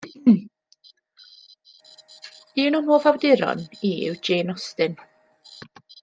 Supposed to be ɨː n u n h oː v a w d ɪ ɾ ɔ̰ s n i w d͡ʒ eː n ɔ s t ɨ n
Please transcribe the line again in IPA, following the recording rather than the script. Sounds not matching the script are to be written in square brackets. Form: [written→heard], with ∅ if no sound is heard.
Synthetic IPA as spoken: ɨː n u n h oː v a w d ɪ ɾ ɔ̰ [s→∅] n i w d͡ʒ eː n ɔ s t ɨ n